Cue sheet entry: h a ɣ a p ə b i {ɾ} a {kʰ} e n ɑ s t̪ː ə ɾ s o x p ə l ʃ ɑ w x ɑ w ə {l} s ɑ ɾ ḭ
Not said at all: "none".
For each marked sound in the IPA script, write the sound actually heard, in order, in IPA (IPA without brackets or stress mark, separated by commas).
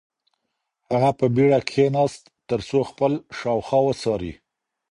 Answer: ɽ, kʰ, none